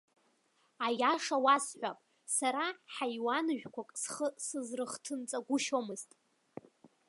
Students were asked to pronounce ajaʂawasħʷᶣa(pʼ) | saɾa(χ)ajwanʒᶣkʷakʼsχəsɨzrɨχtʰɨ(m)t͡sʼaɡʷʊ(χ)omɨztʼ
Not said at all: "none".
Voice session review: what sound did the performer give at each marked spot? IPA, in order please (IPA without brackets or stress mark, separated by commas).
pʼ, ħ, n, ʃ